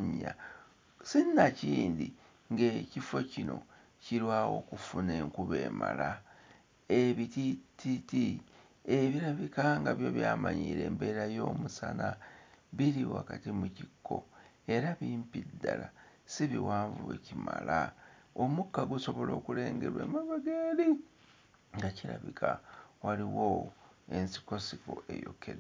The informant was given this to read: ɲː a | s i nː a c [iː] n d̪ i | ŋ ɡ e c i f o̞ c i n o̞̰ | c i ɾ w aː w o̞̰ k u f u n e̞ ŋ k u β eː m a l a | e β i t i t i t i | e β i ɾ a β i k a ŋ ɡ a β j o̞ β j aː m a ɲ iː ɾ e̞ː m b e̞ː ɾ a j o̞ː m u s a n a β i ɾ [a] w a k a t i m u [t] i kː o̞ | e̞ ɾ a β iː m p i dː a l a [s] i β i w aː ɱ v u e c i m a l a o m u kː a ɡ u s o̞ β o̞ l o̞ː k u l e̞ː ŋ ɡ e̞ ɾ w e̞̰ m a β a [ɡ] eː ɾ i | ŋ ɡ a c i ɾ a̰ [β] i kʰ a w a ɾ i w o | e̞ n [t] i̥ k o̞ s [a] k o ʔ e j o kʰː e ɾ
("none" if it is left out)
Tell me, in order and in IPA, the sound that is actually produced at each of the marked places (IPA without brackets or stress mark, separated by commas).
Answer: iː, i, c, s, ɡ, β, s, i